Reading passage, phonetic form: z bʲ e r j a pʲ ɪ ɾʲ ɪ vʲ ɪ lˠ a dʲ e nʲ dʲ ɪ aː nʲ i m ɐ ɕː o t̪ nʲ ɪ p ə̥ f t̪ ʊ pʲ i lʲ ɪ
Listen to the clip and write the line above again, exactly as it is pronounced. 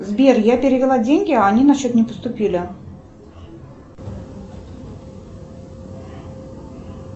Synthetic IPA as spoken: z bʲ e r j a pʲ ɪ ɾʲ ɪ vʲ ɪ lˠ a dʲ e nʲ ɡʲ ɪ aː nʲ i n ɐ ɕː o t̪ nʲ ɪ p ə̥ s t̪ ʊ pʲ i lʲ ɪ